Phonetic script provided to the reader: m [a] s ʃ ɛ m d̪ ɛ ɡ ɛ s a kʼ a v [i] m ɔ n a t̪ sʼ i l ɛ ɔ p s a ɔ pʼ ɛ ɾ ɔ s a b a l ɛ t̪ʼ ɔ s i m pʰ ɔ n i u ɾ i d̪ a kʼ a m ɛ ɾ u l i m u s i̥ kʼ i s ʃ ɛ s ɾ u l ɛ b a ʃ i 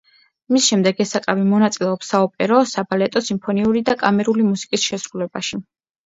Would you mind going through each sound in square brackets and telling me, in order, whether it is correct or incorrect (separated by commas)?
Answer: incorrect, correct